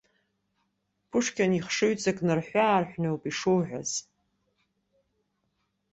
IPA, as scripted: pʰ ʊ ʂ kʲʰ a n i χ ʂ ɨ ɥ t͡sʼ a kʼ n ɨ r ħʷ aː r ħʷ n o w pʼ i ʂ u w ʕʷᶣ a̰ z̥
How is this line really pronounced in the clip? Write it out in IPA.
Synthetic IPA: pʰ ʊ ʂ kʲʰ a n i χ ʂ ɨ ɥ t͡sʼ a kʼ n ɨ r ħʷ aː r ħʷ n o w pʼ i ʂ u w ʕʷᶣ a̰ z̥